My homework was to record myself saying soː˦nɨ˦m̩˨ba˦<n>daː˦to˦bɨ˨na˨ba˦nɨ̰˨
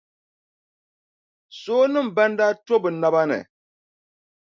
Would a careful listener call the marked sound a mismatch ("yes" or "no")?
no